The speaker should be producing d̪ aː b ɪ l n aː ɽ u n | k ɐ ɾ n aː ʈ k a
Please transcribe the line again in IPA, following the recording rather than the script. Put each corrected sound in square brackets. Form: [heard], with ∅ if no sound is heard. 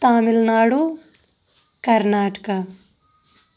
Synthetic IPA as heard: [t̪] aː [m] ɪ l n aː ɽ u [∅] | k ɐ ɾ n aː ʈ k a